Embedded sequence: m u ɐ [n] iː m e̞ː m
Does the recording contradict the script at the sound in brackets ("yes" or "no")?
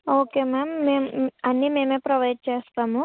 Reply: yes